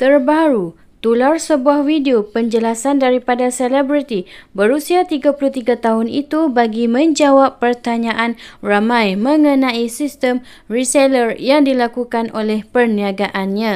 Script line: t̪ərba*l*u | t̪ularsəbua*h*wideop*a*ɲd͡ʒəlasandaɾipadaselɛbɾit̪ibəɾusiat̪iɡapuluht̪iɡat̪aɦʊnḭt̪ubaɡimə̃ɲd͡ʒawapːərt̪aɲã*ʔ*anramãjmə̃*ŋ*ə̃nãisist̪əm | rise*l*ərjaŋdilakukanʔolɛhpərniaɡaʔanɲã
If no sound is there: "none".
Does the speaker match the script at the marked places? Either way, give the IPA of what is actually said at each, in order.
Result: ɾ, h, ə, ʔ, ŋ, l

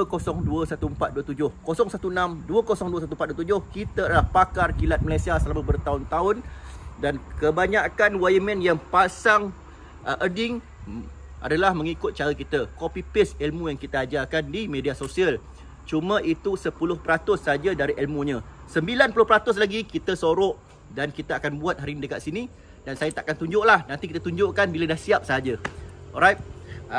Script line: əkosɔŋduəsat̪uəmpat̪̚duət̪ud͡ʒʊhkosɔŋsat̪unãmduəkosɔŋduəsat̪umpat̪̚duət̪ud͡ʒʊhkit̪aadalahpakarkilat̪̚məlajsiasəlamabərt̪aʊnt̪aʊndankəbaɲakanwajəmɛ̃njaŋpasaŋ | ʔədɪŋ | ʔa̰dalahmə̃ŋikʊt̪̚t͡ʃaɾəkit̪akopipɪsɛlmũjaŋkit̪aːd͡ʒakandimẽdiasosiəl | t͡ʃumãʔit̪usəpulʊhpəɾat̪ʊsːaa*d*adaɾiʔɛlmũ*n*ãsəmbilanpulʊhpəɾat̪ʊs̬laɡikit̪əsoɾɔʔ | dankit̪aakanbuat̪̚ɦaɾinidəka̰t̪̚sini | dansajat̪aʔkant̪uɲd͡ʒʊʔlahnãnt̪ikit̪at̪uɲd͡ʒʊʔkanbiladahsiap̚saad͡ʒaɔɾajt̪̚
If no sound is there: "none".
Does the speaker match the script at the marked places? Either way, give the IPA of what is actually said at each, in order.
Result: d͡ʒ, ɲ

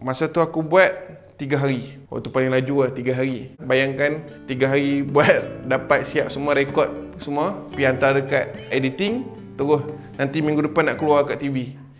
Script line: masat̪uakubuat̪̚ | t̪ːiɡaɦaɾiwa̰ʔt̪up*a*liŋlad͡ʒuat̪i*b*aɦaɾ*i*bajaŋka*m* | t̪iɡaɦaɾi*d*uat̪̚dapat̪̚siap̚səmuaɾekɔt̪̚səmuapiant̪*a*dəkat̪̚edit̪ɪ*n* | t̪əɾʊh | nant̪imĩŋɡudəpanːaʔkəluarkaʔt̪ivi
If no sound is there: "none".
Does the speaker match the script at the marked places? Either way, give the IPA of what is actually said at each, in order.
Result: a, ɡ, i, n, b, a, ŋ

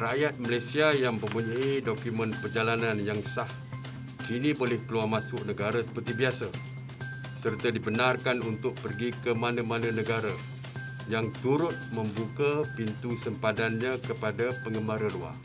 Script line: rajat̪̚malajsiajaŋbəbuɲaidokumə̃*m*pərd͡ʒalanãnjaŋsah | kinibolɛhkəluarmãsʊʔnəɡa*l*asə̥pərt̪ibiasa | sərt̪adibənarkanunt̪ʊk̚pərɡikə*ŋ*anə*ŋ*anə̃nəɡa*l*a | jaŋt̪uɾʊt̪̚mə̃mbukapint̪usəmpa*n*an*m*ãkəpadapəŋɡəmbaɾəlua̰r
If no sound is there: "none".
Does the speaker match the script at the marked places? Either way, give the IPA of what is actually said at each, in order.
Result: n, ɾ, m, m, ɾ, d, ɲ

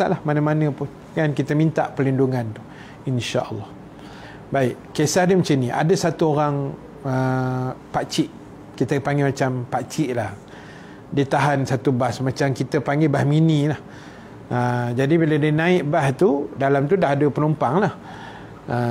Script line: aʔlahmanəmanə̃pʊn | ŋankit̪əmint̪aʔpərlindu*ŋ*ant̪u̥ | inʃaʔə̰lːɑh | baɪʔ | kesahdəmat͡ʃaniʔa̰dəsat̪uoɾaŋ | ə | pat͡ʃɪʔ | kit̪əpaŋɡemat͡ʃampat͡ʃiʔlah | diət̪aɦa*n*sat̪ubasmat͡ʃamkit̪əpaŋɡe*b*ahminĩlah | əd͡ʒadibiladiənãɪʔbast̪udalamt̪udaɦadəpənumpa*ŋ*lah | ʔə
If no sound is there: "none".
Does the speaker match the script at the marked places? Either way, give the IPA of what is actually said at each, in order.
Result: ŋ, n, b, ŋ

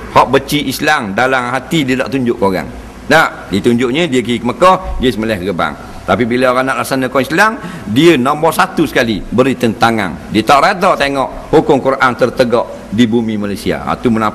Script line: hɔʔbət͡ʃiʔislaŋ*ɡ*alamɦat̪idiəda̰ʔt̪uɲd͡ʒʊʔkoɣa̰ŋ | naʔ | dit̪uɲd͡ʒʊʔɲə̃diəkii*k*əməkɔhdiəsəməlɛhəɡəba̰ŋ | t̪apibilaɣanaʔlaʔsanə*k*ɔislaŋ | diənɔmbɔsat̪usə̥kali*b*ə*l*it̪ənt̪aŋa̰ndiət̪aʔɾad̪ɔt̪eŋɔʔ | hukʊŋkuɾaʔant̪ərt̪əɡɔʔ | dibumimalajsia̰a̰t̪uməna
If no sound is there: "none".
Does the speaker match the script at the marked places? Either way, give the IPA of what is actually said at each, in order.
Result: d, k, k, b, ɾ

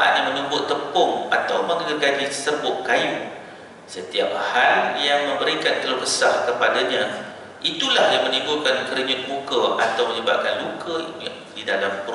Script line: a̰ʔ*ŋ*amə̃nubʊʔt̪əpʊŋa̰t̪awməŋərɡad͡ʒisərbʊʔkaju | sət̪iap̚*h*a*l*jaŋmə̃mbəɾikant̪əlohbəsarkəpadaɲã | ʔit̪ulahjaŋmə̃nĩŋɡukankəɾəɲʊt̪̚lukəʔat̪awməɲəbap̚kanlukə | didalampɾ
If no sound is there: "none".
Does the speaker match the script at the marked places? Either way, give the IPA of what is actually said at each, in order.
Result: ɲ, h, l

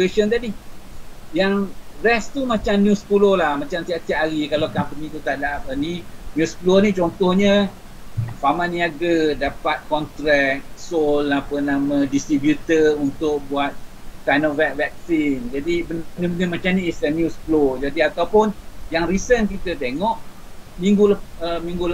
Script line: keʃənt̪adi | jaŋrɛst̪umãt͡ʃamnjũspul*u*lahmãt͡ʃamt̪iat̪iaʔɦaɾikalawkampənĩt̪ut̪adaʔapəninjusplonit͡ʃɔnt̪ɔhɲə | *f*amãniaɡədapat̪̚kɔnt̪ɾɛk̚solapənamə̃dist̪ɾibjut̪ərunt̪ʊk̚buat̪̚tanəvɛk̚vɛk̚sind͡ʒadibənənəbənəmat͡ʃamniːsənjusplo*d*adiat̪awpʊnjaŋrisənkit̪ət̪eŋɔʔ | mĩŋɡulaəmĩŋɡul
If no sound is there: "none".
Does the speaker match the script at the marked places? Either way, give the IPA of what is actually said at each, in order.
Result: o, f, d͡ʒ

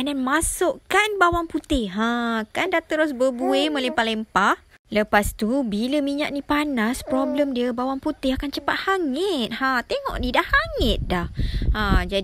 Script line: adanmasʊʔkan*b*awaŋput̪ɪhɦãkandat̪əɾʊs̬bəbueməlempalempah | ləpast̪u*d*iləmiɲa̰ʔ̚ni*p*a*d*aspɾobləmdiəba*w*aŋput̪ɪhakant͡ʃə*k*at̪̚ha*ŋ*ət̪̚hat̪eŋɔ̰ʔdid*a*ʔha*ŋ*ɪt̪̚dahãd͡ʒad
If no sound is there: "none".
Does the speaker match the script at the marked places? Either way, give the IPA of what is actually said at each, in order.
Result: b, b, p, n, w, p, ŋ, a, ŋ

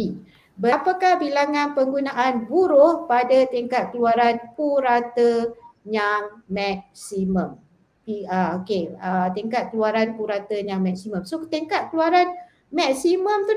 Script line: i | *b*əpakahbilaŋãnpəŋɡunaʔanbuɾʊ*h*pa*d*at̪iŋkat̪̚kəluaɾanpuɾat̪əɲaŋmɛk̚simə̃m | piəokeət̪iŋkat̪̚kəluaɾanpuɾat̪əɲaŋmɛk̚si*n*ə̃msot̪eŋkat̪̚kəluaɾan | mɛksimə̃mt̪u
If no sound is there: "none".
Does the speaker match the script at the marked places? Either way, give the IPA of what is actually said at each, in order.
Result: b, h, d, m

